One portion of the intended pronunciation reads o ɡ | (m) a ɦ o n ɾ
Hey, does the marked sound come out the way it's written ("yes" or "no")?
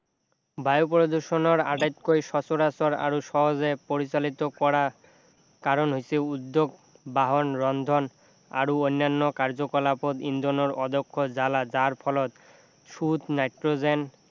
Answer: no